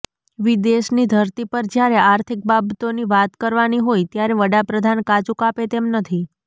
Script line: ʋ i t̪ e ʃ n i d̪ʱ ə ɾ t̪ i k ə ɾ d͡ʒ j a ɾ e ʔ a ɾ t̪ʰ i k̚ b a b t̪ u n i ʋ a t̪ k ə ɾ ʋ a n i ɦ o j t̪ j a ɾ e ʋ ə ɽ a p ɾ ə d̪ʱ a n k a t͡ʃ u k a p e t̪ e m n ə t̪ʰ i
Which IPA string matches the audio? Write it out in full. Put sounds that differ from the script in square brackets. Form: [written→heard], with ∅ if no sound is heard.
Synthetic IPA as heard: ʋ i [t̪→d̪] e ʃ n i d̪ʱ ə ɾ t̪ i [k→p] ə ɾ d͡ʒ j a ɾ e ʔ a ɾ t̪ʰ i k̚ b a b t̪ [u→o] n i ʋ a t̪ k ə ɾ ʋ a n i ɦ o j t̪ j a ɾ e ʋ ə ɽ a p ɾ ə d̪ʱ a n k a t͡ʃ u k a p e t̪ e m n ə t̪ʰ i